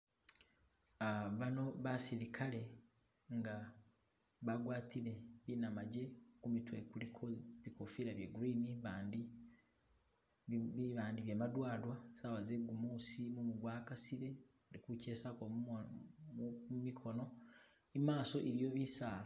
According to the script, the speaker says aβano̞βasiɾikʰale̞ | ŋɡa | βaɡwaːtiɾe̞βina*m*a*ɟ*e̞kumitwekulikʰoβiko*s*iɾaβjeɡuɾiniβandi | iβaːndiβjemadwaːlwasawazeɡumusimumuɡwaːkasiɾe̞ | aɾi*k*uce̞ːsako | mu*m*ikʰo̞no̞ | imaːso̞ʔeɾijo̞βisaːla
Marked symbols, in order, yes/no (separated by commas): yes, yes, no, yes, yes